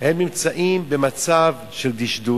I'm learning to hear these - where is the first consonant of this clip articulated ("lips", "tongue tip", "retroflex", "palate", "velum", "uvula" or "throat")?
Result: throat